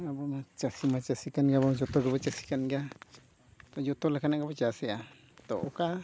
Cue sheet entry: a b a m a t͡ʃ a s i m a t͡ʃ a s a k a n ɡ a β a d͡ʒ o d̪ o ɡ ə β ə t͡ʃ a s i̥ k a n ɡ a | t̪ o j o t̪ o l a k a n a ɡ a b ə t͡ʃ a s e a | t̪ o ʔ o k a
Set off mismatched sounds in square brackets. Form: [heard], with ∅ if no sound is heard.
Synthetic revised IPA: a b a m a t͡ʃ a s i m a t͡ʃ a s [i] k a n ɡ a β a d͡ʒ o [t̪] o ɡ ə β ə t͡ʃ a s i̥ k a n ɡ a | t̪ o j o t̪ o l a k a n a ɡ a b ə t͡ʃ a s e a | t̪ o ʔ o k a

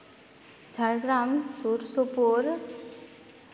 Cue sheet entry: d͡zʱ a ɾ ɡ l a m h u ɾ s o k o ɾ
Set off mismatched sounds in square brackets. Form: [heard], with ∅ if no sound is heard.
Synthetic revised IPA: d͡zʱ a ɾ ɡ [ɾ] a m [s] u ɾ s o [p] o ɾ

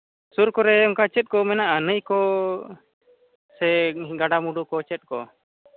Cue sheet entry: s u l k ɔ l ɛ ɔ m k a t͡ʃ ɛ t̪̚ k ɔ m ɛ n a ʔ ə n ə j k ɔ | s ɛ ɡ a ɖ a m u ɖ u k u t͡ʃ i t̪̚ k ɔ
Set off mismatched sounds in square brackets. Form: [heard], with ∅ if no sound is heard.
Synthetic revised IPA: s u [ɾ] k ɔ [ɾ] ɛ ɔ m k a t͡ʃ ɛ t̪̚ k ɔ m ɛ n a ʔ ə n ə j k ɔ | s ɛ ɡ a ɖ a m u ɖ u k [ɔ] t͡ʃ [ɛ] t̪̚ k ɔ

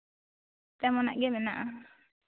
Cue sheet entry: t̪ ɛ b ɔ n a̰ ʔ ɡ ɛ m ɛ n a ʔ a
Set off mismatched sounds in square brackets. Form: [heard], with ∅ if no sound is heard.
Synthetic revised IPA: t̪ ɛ [m] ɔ n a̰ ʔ ɡ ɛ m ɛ n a ʔ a

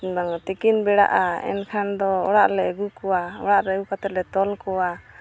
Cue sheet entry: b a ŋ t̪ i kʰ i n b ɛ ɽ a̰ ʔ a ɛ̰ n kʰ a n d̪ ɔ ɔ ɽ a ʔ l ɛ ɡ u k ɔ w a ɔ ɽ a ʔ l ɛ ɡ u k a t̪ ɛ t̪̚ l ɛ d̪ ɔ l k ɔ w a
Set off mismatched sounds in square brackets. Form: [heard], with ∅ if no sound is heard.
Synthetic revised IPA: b a ŋ t̪ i [k] i n b ɛ ɽ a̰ ʔ a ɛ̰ n kʰ a n d̪ ɔ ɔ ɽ a ʔ l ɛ ɡ u k ɔ w a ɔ ɽ a ʔ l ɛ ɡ u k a t̪ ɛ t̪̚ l ɛ [t̪] ɔ l k ɔ w a

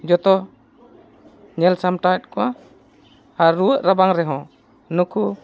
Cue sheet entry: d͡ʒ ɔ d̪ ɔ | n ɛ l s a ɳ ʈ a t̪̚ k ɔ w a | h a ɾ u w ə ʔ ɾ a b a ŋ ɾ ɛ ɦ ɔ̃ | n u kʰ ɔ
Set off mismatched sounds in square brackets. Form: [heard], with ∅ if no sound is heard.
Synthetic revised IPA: d͡ʒ ɔ [t̪] ɔ | [ɲ] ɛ l s a [m] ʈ a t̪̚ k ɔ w a | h a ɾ u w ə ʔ ɾ a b a ŋ ɾ ɛ ɦ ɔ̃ | n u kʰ [u]

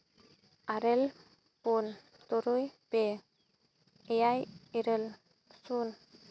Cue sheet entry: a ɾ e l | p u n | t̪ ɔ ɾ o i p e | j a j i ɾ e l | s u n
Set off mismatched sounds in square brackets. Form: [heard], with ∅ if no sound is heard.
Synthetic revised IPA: a ɾ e l | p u n | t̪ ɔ ɾ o [j] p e | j a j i ɾ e l | s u n

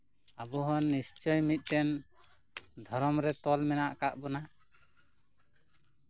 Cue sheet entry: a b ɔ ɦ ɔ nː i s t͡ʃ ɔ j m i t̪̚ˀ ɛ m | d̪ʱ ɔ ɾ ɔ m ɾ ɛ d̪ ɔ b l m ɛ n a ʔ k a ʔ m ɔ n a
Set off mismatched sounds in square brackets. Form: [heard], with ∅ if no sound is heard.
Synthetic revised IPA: a b ɔ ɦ ɔ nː i s t͡ʃ ɔ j m i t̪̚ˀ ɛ [n] | d̪ʱ ɔ ɾ ɔ m ɾ ɛ [t̪] ɔ [∅] l m ɛ n a ʔ k a ʔ [b] ɔ n a

